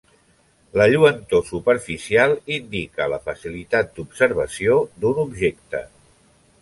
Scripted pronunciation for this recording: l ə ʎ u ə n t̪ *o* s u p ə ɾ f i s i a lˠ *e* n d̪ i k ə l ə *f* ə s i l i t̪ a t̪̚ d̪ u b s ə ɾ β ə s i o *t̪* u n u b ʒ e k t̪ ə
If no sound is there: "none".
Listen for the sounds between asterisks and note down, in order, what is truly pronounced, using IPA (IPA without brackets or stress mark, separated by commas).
o, i, f, d̪